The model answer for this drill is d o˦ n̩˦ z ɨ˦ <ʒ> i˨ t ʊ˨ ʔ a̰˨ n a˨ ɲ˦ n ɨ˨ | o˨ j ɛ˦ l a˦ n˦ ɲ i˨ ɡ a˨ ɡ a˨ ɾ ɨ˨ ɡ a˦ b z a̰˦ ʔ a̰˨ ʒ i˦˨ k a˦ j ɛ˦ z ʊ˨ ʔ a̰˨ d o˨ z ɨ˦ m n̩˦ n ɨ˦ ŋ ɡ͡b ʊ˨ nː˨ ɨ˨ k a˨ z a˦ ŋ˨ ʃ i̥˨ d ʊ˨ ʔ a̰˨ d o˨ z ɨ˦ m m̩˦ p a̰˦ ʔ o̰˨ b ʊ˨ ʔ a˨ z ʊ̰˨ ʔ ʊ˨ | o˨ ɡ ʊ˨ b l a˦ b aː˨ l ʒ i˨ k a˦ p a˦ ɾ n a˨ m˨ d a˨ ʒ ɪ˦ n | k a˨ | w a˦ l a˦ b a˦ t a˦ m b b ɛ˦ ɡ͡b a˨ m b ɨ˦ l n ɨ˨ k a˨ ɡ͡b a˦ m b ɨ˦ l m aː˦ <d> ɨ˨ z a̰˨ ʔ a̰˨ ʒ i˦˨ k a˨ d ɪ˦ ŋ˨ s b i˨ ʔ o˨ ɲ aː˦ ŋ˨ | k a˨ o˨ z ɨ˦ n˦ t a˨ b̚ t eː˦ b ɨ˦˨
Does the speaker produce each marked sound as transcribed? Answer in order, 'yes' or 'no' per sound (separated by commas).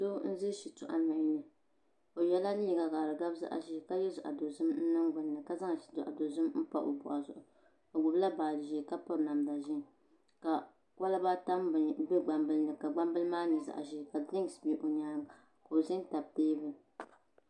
no, no